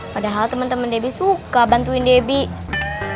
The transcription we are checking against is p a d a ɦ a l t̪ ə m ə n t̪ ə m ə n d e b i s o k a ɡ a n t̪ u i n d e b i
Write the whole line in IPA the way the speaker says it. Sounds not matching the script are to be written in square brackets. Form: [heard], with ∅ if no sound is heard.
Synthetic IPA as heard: p a d a ɦ a l t̪ ə m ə n t̪ ə m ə n d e b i s [u] k a [b] a n t̪ u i n d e b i

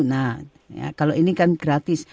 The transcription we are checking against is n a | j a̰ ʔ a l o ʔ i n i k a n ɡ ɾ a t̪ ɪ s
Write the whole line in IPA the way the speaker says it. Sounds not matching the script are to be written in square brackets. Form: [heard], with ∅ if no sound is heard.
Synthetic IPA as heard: n a | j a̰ [k] a l o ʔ i n i k a n ɡ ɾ a t̪ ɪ s

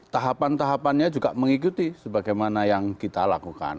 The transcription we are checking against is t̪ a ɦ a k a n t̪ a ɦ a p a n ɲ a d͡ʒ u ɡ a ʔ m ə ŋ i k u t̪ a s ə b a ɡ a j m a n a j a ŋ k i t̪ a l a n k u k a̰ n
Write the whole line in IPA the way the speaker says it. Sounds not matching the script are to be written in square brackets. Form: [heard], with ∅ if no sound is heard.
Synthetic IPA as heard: t̪ a ɦ a [p] a n t̪ a ɦ a p a n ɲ a d͡ʒ u ɡ a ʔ m ə ŋ i k u t̪ [i] s ə b a ɡ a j m a n a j a ŋ k i t̪ a l a [∅] k u k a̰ n

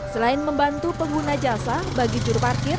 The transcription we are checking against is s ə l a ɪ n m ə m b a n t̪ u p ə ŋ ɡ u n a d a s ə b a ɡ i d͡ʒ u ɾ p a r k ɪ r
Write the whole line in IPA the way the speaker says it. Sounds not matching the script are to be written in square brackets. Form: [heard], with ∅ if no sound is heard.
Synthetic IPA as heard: s ə l a ɪ n m ə m b a n t̪ u p ə ŋ ɡ u n a [d͡ʒ] a s [a] b a ɡ i d͡ʒ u ɾ p a r k ɪ r

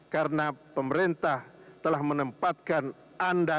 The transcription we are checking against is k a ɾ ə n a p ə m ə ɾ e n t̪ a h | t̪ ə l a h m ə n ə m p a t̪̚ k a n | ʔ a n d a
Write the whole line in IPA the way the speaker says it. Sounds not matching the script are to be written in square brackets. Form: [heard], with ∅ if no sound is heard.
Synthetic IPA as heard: k a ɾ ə n a p ə m ə ɾ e n t̪ a h | t̪ ə l a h m ə n ə m p a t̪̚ k a n | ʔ a n d a

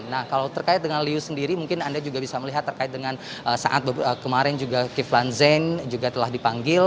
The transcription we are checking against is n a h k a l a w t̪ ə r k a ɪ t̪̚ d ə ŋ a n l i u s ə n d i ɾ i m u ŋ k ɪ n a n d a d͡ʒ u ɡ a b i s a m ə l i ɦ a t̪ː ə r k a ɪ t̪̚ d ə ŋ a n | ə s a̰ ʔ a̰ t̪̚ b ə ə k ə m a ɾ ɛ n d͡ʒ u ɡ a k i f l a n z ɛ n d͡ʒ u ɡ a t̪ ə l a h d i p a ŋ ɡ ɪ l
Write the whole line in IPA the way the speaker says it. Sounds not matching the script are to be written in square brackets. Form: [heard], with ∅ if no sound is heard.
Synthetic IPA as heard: n a h k a l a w t̪ ə r k a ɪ t̪̚ d ə ŋ a n l i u s ə n d i ɾ i m u ŋ k ɪ n a n d a d͡ʒ u ɡ a b i s a m ə l i ɦ a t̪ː ə r k a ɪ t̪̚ d ə ŋ a n | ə s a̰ ʔ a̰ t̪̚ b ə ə k ə m a ɾ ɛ n d͡ʒ u ɡ a k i f l a n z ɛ n d͡ʒ u ɡ a t̪ ə l a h d i p a ŋ ɡ ɪ l

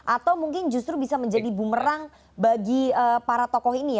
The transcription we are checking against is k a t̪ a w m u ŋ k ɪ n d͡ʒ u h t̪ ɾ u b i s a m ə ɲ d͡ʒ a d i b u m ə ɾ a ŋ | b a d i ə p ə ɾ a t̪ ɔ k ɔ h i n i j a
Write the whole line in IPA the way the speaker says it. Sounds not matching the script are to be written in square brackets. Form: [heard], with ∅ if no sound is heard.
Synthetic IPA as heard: [ʔ] a t̪ a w m u ŋ k ɪ n d͡ʒ u [s] t̪ ɾ u b i s a m ə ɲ d͡ʒ a d i b u m ə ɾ a ŋ | b a [ɡ] i ə p [a] ɾ a t̪ ɔ k ɔ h i n i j a

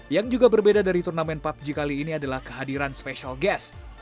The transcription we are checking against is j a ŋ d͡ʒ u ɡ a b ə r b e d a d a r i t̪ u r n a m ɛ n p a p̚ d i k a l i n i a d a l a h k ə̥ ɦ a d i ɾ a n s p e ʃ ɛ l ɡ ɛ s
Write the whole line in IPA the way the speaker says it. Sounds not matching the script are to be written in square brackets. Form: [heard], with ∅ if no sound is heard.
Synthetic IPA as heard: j a ŋ d͡ʒ u ɡ a b ə r b e d a d a [ɾ] i t̪ u r n a m ɛ n p a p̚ [d͡ʒ] i k a l [iː] n i a d a l a h k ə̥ ɦ a d i ɾ a n s p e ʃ [a] l ɡ ɛ s

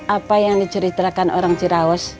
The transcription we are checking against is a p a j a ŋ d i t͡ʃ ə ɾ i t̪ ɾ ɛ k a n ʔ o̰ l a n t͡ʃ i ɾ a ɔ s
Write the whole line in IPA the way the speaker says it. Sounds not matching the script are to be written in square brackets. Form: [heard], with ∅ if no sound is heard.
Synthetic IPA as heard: a p a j a ŋ d i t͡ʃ ə ɾ i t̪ ɾ [a] k a n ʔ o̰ [ɾ] a [ŋ] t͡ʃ i ɾ a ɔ s

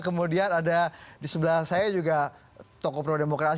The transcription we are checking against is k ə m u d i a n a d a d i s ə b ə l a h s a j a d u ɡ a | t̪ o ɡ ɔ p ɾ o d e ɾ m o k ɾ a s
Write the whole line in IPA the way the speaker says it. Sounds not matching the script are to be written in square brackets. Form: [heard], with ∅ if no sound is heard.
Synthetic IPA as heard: k ə m u d i a n a d a d i s ə b ə l a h s a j a [d͡ʒ] u ɡ a | t̪ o [k] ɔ p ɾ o d e [∅] m o k ɾ a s

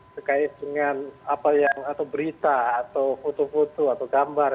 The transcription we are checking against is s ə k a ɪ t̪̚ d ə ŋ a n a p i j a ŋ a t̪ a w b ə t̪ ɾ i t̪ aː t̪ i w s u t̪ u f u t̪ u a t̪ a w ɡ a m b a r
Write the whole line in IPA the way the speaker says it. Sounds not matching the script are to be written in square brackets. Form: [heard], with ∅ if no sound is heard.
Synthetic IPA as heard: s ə k a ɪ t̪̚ d ə ŋ a n a p [a] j a ŋ a t̪ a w b ə [∅] ɾ i t̪ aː t̪ [a] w [f] u t̪ u f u t̪ u a t̪ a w ɡ a m b a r

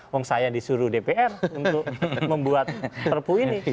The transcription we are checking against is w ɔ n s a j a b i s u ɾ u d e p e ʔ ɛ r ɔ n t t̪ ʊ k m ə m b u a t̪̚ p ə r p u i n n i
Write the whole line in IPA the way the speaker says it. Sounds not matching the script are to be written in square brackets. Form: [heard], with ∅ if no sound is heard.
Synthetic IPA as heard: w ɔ [ŋ] s a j a [d] i s u ɾ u d e p e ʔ ɛ r [u] n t t̪ ʊ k m ə m b u a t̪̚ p ə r p u i n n i

